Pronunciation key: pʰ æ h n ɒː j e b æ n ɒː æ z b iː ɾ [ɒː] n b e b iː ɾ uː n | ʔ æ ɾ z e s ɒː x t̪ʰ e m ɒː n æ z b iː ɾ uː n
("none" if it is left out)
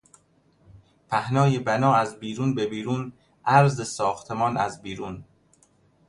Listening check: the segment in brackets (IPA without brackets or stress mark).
uː